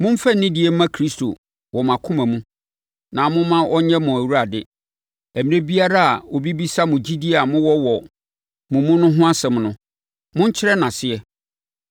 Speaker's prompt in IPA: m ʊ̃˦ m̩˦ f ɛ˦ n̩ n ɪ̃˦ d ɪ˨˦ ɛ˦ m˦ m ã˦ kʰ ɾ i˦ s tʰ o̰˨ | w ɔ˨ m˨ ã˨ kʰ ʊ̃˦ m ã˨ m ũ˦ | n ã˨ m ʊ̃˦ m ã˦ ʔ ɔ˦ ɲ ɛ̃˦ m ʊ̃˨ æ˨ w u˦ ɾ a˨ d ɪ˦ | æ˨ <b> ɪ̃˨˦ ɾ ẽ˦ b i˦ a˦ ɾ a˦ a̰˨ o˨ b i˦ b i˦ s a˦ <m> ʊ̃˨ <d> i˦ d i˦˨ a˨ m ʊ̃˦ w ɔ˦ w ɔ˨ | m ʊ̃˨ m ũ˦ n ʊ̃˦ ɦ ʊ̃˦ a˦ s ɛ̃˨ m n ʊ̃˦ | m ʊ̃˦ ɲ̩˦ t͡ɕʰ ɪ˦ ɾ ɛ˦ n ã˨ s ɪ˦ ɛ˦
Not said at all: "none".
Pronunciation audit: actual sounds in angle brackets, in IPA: m, m, d͡ʑ

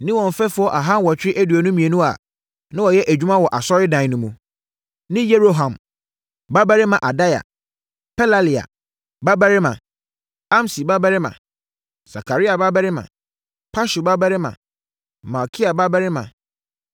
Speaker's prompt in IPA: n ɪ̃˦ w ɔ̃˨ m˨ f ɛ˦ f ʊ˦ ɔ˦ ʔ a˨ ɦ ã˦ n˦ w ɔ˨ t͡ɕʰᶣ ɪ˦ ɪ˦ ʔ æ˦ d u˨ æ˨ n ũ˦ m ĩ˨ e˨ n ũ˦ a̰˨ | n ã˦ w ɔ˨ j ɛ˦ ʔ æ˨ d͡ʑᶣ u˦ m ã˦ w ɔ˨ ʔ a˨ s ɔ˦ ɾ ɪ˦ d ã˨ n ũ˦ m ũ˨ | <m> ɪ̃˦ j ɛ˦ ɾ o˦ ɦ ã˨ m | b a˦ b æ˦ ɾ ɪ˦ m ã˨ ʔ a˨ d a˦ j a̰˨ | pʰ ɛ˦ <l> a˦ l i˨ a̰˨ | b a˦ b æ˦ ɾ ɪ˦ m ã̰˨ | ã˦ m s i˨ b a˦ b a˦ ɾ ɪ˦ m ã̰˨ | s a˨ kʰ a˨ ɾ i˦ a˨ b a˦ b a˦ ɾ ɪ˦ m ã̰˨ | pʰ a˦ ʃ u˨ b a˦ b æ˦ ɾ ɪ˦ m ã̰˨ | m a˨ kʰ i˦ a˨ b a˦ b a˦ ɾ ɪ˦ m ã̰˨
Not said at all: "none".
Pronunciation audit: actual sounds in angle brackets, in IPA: n, l

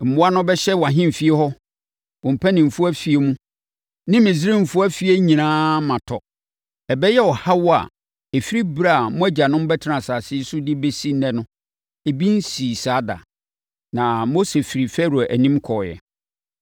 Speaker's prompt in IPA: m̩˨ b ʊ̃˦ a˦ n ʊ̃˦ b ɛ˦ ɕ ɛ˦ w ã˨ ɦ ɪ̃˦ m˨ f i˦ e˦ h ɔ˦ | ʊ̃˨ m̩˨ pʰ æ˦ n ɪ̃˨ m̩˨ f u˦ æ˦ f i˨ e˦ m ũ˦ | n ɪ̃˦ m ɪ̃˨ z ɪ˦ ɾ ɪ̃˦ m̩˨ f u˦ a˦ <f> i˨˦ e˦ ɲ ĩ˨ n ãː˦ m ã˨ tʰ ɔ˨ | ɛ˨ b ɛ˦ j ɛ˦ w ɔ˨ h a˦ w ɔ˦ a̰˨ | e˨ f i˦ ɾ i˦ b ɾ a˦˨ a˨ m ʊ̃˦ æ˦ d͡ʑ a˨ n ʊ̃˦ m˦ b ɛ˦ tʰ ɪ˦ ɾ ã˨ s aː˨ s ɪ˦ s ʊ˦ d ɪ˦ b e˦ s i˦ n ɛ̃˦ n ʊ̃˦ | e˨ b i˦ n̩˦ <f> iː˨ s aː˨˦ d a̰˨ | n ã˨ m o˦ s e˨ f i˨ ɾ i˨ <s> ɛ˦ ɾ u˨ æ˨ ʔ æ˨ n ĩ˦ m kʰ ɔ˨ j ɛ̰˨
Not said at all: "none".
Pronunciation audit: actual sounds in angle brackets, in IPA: f, s, f

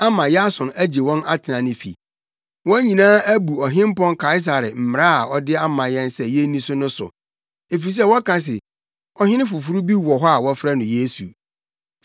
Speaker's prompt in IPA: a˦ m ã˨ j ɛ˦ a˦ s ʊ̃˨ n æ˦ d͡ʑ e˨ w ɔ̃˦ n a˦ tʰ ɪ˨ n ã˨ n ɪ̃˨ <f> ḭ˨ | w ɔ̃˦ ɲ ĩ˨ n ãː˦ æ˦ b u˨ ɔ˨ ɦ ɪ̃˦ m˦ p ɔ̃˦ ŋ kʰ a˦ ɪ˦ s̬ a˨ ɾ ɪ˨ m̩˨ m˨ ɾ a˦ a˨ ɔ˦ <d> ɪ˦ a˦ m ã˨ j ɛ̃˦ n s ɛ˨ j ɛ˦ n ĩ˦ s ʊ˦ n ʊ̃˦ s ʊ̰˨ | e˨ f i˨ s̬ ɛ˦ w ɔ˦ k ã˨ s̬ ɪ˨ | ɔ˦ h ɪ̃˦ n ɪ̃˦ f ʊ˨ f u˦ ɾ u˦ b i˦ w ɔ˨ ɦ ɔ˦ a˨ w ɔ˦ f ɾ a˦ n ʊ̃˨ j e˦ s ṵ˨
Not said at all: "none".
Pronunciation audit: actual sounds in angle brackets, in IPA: f, d

